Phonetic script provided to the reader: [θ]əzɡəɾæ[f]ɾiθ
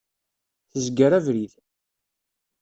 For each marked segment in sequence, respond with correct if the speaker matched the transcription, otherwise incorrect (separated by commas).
correct, incorrect